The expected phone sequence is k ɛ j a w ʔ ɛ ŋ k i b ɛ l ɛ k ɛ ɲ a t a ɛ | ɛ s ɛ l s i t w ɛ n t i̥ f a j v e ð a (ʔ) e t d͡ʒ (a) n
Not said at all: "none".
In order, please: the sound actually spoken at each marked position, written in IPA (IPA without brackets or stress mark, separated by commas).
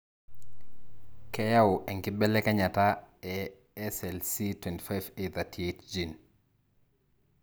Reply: t, i